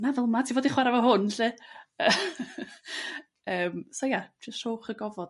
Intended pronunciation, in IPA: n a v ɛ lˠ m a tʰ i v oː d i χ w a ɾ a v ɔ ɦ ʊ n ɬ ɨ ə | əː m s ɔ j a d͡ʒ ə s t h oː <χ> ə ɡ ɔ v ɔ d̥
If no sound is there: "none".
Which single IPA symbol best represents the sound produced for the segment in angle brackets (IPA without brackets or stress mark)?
χ